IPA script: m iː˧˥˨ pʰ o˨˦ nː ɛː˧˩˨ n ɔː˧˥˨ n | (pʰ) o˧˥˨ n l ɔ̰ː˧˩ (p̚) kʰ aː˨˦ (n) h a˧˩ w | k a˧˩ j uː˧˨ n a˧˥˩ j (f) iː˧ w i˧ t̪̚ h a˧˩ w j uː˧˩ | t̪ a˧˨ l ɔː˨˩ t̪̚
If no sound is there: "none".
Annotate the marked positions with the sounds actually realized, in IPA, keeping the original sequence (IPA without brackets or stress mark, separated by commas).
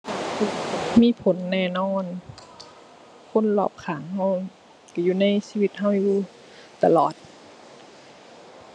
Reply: kʰ, p̚, ŋ, s